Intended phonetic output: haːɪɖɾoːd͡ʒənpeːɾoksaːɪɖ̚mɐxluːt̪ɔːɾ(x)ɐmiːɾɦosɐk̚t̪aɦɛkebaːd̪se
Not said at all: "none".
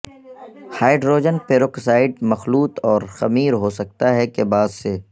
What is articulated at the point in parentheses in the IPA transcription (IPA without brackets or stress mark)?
x